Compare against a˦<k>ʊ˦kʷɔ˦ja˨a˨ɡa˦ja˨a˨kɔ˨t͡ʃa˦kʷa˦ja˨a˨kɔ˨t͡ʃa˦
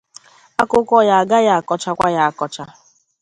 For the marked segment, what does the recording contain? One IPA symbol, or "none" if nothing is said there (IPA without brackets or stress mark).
k